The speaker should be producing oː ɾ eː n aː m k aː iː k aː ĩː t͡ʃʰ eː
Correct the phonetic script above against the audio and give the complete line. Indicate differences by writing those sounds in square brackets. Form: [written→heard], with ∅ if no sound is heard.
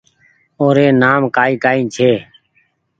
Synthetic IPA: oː ɾ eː n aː m k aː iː k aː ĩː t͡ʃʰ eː